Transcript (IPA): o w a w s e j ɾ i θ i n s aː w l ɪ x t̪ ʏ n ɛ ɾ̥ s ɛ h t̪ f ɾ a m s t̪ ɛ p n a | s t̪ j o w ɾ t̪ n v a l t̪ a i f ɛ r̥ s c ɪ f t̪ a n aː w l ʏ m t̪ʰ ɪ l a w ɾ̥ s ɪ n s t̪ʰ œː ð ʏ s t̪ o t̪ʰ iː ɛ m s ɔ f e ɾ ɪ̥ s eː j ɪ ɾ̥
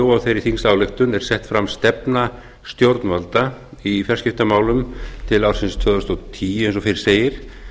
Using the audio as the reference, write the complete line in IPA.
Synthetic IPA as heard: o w a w θ e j ɾ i θ i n s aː w l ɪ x t̪ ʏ n ɛ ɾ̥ s ɛ h t̪ f ɾ a m s t̪ ɛ p n a | s t̪ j o w ɾ t̪ n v a l t̪ a i f ɛ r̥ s c ɪ f t̪ a m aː w l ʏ m t̪ʰ ɪ l a w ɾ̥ s ɪ n s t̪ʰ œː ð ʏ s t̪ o t̪ʰ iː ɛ n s ɔ f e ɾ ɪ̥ s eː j ɪ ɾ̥